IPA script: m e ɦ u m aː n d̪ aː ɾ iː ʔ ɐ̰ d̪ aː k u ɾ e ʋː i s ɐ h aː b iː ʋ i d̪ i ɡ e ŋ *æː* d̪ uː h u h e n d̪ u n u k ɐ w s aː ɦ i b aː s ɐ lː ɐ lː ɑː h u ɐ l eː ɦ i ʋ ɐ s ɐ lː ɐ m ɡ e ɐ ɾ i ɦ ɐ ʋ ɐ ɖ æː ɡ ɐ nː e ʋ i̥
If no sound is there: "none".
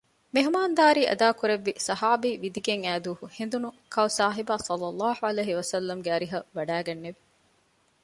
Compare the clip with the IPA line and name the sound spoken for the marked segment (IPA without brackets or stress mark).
æː